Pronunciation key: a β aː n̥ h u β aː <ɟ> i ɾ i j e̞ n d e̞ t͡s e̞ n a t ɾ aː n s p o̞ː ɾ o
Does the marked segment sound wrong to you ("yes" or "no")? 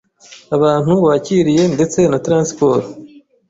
yes